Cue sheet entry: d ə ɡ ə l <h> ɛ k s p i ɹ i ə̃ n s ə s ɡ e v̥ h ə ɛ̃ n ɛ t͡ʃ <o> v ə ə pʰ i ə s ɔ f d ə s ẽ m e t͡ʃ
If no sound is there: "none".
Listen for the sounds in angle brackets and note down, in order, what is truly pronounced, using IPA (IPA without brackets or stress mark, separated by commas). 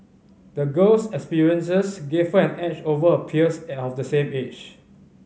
s, o